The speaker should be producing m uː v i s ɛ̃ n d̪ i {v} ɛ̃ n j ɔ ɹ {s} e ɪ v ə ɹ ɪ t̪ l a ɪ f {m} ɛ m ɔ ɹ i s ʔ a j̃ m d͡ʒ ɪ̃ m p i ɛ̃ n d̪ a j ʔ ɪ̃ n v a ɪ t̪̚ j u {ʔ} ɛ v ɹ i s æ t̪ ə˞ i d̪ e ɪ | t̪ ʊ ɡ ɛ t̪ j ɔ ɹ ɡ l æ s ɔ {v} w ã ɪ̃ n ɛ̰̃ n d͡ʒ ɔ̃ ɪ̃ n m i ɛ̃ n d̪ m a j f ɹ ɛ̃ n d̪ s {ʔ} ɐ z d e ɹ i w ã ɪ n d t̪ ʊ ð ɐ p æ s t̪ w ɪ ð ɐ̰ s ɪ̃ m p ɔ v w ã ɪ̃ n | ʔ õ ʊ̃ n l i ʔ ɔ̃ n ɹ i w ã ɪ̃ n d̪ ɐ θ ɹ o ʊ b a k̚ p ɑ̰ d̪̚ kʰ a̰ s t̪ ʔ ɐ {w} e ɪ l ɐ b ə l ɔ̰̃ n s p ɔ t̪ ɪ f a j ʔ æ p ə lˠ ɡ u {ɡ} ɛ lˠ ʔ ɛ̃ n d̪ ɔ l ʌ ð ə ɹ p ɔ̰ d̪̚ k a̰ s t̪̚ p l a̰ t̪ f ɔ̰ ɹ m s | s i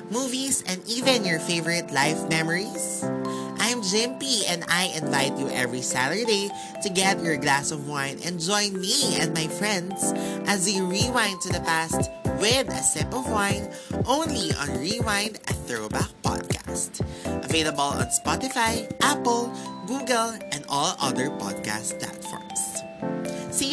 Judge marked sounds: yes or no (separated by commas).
yes, no, yes, yes, yes, yes, no, yes